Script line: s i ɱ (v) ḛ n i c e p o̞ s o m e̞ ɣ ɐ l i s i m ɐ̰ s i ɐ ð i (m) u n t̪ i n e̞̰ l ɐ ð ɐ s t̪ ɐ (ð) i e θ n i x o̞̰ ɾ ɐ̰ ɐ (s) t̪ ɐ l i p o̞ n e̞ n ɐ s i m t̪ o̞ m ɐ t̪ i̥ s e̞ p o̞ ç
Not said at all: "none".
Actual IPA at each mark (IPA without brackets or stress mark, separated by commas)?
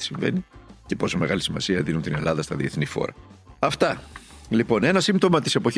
v, n, ð, f